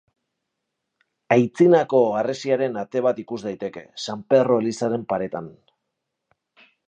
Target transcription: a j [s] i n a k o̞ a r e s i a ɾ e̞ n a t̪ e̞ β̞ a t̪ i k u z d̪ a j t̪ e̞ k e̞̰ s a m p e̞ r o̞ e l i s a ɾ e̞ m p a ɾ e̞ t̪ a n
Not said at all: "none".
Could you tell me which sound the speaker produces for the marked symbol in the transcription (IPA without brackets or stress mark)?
t͡s